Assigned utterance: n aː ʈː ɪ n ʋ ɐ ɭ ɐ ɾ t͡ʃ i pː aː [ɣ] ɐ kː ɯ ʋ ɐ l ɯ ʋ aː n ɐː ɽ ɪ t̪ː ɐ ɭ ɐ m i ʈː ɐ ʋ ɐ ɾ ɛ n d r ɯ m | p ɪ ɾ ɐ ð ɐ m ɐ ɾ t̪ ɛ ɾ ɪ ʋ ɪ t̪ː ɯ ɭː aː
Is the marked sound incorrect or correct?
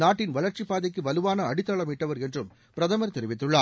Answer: incorrect